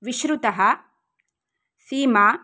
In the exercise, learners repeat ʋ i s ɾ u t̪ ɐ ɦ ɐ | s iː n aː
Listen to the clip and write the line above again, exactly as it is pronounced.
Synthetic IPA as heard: ʋ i ʃ ɾ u t̪ ɐ ɦ ɐ | s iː m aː